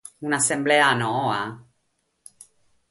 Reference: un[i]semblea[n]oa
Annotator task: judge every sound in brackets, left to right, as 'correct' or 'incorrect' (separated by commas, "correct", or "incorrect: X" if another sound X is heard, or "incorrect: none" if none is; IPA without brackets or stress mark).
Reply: incorrect: a, correct